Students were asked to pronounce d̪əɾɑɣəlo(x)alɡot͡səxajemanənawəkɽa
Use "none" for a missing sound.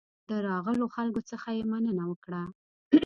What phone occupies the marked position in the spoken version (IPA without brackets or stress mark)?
x